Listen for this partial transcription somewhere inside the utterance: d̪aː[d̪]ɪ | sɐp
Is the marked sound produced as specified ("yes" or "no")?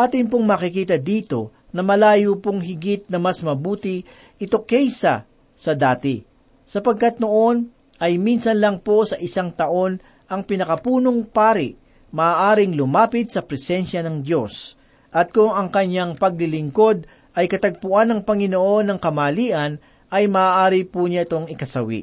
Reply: no